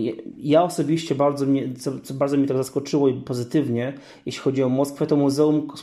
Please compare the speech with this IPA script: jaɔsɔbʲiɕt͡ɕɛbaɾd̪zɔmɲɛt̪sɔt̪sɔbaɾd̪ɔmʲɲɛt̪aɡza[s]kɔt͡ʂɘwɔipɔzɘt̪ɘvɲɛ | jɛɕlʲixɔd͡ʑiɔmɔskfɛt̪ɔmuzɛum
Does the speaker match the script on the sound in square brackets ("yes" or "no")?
yes